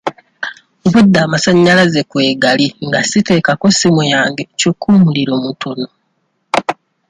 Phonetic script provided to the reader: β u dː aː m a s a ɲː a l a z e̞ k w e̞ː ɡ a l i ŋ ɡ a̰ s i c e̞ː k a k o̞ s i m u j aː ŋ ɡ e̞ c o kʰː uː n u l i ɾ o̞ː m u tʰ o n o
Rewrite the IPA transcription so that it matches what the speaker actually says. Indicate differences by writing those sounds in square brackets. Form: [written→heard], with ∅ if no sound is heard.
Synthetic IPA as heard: β u dː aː m a s a ɲː a l a z e̞ k w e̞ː ɡ a l i ŋ ɡ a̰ s i [c→t] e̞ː k a k o̞ s i m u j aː ŋ ɡ e̞ c o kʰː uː [n→m] u l i ɾ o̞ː m u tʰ o n o